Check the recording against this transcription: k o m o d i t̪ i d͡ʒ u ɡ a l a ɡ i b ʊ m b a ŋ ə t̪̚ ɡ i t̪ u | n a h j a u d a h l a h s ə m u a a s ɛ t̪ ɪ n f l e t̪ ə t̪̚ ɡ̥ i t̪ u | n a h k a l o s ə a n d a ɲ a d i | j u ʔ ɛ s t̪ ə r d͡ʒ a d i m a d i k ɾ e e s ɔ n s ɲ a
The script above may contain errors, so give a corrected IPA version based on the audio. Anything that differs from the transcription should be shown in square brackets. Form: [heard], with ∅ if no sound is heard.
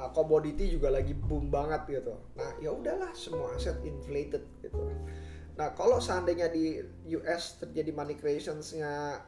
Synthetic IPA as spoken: k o m o d i t̪ i d͡ʒ u ɡ a l a ɡ i b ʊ m b a ŋ ə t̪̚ ɡ i t̪ u | n a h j a u d a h l a h s ə m u a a s ɛ t̪ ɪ n f l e t̪ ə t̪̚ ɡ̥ i t̪ u | n a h k a l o s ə a n d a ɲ a d i | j u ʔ ɛ s t̪ ə r d͡ʒ a d i m a [n] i k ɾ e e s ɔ n s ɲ a